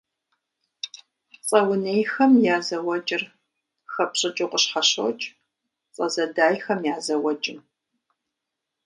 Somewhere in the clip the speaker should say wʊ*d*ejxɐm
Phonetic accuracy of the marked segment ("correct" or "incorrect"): incorrect